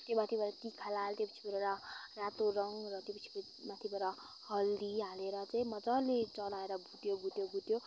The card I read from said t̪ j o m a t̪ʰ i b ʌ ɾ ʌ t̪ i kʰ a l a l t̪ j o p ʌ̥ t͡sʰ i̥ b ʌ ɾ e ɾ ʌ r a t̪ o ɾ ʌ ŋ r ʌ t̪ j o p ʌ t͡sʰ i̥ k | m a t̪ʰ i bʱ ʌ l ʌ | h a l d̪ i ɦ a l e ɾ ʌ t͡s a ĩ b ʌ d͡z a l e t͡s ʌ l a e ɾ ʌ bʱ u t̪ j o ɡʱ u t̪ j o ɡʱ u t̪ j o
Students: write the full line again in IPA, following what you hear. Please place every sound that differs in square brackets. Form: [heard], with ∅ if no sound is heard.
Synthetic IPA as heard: t̪ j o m a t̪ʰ i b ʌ ɾ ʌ t̪ i kʰ a l a l t̪ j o p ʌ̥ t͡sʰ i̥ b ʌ ɾ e ɾ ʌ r a t̪ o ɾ ʌ ŋ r ʌ t̪ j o p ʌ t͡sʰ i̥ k | m a t̪ʰ i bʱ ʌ [ɾ] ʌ | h [ʌ] l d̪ i ɦ a l e ɾ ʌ t͡s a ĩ [m] ʌ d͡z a l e t͡s ʌ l a e ɾ ʌ bʱ u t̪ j o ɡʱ u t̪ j o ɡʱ u t̪ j o

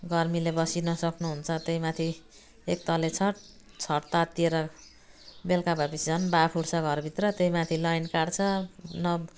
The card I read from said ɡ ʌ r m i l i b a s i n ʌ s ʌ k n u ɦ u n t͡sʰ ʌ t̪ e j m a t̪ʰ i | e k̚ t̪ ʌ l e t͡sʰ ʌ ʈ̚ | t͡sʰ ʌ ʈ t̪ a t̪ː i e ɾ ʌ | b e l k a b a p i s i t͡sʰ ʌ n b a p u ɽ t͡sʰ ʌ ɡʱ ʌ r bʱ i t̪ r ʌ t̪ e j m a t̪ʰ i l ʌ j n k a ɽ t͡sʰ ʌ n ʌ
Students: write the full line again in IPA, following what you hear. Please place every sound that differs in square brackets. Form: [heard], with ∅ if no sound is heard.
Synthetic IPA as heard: ɡ ʌ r m i l [e] b [ʌ] s i n ʌ s ʌ k n u ɦ u n t͡sʰ ʌ t̪ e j m a t̪ʰ i | e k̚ t̪ ʌ l e t͡sʰ ʌ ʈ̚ | t͡sʰ ʌ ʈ t̪ a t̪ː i e ɾ ʌ | b e l k a b a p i s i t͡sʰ ʌ n b a [pʰ] u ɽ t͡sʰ ʌ ɡʱ ʌ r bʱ i t̪ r ʌ t̪ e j m a t̪ʰ i l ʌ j n k a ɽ t͡sʰ ʌ n ʌ

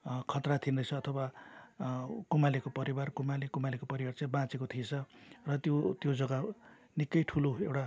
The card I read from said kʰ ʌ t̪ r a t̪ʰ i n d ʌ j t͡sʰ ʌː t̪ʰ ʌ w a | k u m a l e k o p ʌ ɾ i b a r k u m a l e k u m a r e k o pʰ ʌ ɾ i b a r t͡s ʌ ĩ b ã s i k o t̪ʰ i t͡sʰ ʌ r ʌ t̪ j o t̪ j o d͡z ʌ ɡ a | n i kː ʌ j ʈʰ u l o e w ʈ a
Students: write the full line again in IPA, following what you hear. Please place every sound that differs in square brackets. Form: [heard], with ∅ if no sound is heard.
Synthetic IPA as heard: kʰ ʌ t̪ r a t̪ʰ i n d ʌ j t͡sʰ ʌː t̪ʰ ʌ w a | k u m a l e k o p ʌ ɾ i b a r k u m a l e k u m a [l] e k o [p] ʌ ɾ i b a r t͡s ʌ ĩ b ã [t͡s] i k o t̪ʰ i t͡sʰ ʌ r ʌ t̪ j o t̪ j o d͡z ʌ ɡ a | n i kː ʌ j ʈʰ u l o e w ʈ a

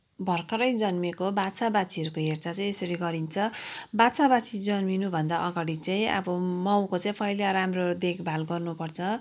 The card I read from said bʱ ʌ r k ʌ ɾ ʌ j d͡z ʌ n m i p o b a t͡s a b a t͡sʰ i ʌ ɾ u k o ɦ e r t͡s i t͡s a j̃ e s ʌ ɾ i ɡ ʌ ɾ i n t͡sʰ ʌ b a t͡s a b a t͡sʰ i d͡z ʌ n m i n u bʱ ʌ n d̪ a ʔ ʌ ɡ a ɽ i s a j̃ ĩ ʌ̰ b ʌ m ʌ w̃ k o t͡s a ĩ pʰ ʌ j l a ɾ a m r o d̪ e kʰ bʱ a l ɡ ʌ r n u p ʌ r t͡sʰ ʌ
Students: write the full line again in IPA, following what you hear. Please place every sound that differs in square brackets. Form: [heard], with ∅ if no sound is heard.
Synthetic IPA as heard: bʱ ʌ r k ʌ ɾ ʌ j d͡z ʌ n m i [k] o b a t͡s a b a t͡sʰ i ʌ ɾ u k o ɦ e r t͡s [a] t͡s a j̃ e s ʌ ɾ i ɡ ʌ ɾ i n t͡sʰ ʌ b a t͡s a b a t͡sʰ i d͡z ʌ n m i n u bʱ ʌ n d̪ a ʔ ʌ ɡ a ɽ i [t͡s] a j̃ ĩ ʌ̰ b ʌ m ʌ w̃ k o t͡s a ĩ pʰ ʌ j l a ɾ a m r o d̪ e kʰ bʱ a l ɡ ʌ r n u p ʌ r t͡sʰ ʌ

